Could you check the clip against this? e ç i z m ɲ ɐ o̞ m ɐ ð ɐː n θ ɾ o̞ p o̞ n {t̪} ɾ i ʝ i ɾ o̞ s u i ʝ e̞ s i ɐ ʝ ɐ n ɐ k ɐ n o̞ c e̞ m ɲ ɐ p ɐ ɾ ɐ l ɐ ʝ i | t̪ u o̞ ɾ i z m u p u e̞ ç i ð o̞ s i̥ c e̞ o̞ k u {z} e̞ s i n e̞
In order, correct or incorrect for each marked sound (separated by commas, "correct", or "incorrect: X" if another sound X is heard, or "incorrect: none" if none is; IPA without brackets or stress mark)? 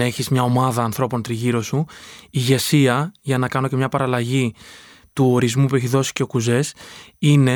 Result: correct, correct